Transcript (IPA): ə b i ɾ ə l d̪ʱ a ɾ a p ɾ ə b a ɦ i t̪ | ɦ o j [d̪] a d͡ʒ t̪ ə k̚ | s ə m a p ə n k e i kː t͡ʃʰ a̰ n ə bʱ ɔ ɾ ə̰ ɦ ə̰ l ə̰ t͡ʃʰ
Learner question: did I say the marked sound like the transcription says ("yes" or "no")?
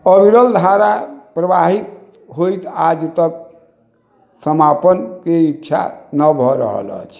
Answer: no